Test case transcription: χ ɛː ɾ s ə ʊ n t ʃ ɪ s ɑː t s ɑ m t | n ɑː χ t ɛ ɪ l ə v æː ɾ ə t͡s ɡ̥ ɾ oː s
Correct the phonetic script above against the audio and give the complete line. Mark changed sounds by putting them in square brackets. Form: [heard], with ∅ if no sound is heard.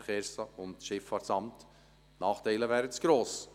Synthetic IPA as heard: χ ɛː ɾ s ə ʊ n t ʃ ɪ [f] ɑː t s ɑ m t | n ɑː χ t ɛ ɪ l ə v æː ɾ ə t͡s ɡ̥ ɾ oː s